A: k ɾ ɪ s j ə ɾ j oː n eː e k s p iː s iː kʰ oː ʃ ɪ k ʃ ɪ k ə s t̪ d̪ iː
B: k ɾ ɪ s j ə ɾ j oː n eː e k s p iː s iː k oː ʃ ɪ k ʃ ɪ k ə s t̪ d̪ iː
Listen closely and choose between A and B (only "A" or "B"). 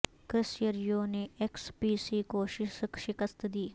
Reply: B